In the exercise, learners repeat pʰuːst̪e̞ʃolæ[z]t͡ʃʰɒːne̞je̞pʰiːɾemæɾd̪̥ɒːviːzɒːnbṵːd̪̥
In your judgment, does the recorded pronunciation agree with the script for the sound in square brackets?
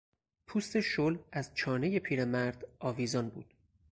yes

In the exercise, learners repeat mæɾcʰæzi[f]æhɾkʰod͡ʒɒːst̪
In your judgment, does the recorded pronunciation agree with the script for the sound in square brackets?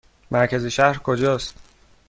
no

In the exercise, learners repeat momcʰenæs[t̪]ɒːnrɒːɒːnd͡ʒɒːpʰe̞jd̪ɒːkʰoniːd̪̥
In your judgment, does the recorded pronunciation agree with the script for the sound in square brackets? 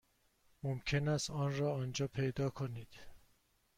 yes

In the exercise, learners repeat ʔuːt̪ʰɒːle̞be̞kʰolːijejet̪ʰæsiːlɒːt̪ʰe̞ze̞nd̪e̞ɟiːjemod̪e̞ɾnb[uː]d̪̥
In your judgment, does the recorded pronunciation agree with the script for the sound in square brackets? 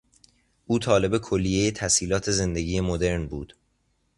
yes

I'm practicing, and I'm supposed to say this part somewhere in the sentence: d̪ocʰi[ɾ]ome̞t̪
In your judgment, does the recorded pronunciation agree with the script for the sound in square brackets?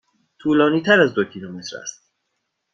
no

